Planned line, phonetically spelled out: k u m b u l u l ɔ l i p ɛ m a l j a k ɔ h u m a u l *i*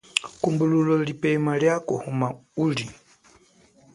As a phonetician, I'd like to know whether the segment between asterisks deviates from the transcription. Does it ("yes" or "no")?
no